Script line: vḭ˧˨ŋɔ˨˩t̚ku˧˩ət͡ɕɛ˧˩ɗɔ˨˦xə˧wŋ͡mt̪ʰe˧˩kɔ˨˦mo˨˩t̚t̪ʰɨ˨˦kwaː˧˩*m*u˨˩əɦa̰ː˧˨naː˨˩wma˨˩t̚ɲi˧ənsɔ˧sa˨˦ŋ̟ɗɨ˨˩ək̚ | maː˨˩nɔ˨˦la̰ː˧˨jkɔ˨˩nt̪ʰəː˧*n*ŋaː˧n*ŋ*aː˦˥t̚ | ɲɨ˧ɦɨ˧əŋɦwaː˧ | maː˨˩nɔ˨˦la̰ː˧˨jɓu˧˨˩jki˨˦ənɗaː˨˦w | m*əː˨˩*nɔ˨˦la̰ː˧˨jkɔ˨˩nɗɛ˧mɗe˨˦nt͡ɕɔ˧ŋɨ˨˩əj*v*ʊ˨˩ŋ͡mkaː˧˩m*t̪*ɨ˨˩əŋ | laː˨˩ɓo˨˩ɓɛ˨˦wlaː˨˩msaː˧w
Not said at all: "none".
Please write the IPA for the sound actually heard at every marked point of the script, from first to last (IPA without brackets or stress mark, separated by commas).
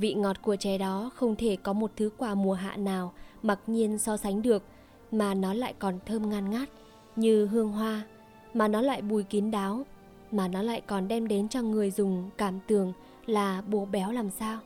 m, m, ŋ, aː˨˩, z, t̪